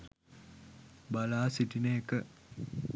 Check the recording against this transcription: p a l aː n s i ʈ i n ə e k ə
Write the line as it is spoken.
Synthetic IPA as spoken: b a l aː s i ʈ i n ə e k ə